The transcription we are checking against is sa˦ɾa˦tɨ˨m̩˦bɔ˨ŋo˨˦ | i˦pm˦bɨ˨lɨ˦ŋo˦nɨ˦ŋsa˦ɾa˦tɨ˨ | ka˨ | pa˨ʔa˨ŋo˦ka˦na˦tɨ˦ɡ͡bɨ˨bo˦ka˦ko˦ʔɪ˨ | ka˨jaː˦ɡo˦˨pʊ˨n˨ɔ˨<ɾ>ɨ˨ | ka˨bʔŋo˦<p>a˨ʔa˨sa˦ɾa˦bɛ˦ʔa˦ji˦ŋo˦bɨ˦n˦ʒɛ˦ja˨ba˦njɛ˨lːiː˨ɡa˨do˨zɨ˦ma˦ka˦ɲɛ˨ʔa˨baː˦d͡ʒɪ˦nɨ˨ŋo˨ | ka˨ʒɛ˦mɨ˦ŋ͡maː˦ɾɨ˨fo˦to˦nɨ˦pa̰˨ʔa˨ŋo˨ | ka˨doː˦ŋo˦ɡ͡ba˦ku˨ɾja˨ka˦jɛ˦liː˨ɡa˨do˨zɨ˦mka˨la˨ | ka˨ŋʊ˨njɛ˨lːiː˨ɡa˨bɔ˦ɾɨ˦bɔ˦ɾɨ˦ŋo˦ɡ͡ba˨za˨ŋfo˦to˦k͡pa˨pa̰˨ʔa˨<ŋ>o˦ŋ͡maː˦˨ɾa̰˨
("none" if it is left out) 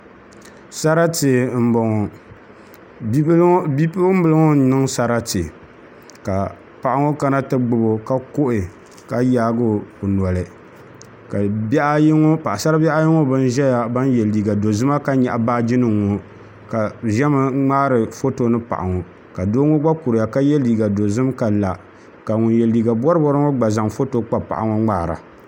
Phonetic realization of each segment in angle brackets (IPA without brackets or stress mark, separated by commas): l, p, ŋ